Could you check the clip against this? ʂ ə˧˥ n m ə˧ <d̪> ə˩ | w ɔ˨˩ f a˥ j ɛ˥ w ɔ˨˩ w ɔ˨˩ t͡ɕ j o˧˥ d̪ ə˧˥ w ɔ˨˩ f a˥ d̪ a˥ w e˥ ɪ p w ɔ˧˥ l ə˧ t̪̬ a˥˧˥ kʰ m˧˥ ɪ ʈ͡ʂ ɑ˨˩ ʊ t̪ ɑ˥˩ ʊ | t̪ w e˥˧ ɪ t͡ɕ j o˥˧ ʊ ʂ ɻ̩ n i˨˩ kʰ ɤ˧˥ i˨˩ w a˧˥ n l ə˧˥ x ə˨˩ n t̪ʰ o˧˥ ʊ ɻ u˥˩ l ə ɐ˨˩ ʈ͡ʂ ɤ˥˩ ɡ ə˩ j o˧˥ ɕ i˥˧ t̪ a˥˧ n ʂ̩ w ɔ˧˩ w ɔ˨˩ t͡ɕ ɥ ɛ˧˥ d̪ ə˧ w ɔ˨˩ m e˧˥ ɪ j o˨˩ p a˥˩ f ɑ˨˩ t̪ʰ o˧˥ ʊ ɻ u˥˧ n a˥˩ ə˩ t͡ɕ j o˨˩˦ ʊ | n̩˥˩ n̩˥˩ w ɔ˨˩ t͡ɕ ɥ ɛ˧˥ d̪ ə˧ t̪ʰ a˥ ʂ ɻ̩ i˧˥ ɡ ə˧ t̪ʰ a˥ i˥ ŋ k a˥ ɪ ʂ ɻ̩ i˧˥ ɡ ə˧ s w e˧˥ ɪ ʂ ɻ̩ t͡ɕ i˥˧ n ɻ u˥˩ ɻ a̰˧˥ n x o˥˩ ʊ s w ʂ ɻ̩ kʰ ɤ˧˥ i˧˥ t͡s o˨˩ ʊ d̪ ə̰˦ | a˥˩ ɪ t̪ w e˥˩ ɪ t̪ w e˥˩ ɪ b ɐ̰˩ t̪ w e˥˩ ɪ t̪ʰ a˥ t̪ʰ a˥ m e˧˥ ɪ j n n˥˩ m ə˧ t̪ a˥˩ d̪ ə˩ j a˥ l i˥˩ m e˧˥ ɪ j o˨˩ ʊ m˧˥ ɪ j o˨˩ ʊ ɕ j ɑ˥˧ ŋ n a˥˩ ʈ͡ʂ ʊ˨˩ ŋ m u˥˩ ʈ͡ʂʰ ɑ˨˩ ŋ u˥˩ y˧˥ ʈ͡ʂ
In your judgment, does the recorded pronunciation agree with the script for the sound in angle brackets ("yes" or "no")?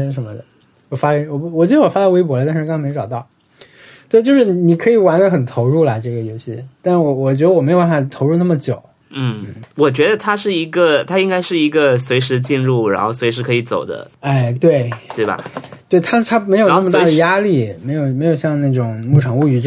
yes